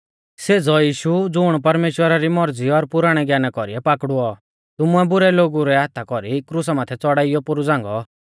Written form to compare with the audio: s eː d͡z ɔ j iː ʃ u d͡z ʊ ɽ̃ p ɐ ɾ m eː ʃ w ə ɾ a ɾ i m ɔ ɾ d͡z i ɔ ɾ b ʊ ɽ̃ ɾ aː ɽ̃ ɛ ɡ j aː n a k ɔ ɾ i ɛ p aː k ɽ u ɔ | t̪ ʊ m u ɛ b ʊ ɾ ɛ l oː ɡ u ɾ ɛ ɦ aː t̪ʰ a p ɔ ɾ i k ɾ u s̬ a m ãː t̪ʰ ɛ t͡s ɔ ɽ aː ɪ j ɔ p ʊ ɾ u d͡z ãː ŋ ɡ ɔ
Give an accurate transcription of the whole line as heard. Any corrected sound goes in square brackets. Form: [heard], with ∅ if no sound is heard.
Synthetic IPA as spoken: s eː d͡z ɔ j iː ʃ u d͡z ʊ ɽ̃ p ɐ ɾ m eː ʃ w ə ɾ a ɾ i m ɔ ɾ d͡z i ɔ ɾ [p] ʊ [∅] ɾ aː ɽ̃ ɛ ɡ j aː n a k ɔ ɾ i ɛ p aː k ɽ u ɔ | t̪ ʊ m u ɛ b ʊ ɾ ɛ l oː ɡ u ɾ ɛ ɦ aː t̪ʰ a [k] ɔ ɾ i k ɾ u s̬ a m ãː t̪ʰ ɛ t͡s ɔ ɽ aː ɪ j ɔ p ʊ ɾ u d͡z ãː ŋ ɡ ɔ